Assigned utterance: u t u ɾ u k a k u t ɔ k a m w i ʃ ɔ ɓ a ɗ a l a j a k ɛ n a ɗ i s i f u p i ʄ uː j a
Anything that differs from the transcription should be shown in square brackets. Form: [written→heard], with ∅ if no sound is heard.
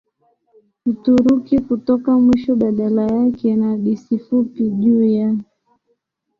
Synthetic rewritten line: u t u ɾ u k [a→i] k u t ɔ k a m w i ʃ ɔ ɓ a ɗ a l a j a k ɛ n a ɗ i s i f u p i ʄ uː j a